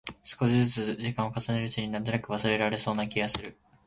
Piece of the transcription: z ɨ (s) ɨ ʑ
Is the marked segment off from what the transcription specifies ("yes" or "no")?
yes